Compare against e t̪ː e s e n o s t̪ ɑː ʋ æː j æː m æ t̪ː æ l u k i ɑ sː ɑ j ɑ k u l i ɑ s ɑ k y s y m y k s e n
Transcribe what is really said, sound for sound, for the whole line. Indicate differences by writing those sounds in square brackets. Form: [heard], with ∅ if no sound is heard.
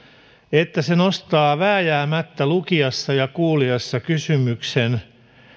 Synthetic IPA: e t̪ː [æ] s e n o s t̪ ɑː ʋ æː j æː m æ t̪ː æ l u k i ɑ sː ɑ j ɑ k [uː] l i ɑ [sː] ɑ k y s y m y k s e n

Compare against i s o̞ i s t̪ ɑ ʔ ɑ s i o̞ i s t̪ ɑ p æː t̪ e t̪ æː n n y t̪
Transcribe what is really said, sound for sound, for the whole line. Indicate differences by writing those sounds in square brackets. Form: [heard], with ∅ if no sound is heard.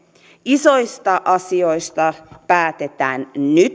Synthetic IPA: i s o̞ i s t̪ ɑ ʔ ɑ s i o̞ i s t̪ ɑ p æː t̪ e t̪ æː n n y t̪

